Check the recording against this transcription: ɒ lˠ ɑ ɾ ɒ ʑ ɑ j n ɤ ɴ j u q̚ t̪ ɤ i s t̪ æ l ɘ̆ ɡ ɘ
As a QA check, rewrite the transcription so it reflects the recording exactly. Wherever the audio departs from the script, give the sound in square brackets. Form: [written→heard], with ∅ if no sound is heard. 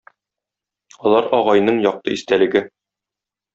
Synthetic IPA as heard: ɒ lˠ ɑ ɾ ɒ [ʑ→ʁ] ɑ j n ɤ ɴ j [u→ɒ] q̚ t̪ ɤ i s t̪ æ l ɘ̆ ɡ ɘ